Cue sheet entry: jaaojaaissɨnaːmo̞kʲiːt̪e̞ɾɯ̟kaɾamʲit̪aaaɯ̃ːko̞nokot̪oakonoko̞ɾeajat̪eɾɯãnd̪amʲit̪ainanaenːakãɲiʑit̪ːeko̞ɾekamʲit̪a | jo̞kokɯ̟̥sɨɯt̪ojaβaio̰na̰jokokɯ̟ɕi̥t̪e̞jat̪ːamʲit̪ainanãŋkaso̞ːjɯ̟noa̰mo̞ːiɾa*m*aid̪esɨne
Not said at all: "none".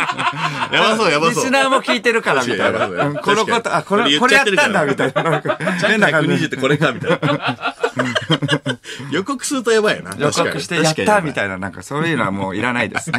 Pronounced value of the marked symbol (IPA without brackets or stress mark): n